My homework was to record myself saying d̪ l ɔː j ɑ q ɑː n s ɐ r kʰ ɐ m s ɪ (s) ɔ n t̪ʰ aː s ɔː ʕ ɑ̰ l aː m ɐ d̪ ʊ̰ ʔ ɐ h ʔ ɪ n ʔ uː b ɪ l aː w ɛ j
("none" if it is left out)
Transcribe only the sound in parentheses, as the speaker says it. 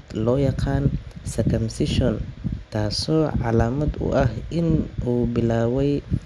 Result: ʃ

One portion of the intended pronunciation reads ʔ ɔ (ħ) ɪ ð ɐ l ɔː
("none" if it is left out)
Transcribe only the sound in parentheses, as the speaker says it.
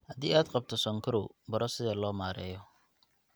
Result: s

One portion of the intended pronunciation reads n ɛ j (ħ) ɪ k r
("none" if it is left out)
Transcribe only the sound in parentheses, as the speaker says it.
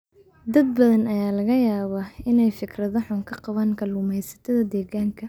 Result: f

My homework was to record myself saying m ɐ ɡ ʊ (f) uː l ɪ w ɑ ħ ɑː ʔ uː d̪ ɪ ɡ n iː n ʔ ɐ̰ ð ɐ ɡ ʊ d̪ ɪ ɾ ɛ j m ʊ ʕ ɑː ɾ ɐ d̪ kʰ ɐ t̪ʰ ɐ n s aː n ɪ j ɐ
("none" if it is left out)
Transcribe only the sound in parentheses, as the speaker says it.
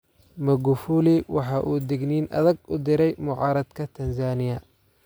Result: f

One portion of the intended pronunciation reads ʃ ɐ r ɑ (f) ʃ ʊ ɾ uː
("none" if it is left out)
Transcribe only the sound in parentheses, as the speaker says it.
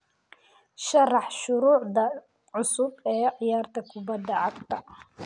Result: ħ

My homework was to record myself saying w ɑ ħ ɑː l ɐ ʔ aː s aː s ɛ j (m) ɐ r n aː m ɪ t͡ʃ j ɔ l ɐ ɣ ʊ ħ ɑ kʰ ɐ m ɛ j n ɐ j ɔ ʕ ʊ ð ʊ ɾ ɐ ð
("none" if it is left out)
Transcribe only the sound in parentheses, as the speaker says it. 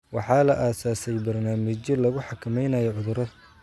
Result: b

